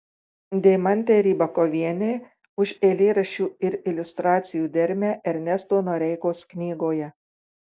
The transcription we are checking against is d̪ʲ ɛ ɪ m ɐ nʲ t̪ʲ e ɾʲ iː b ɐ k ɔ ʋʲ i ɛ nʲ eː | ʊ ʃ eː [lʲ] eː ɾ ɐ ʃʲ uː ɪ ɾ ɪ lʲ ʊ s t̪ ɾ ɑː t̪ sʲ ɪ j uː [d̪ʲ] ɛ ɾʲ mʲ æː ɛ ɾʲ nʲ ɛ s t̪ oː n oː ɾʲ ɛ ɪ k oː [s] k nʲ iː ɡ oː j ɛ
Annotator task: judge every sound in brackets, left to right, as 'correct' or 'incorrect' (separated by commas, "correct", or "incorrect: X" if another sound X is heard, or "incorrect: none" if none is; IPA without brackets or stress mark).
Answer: correct, correct, correct